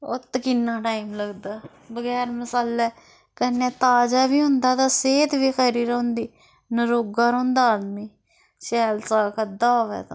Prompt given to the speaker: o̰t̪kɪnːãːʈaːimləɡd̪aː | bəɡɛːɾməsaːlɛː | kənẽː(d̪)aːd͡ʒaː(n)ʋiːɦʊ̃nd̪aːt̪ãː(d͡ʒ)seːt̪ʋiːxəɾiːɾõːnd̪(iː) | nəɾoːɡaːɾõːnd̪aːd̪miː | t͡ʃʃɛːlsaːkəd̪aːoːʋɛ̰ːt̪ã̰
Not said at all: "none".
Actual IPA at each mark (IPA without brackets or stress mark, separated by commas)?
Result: t̪, none, none, iː